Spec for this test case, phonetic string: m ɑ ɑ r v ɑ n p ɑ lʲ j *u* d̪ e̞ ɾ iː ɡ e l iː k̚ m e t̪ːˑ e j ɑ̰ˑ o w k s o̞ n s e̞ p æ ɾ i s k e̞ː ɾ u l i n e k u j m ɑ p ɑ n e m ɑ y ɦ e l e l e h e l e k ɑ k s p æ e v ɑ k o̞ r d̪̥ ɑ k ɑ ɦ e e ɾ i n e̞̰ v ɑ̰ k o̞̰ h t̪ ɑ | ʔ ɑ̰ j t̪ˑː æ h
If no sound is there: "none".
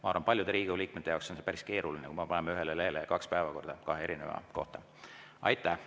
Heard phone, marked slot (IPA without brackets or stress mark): u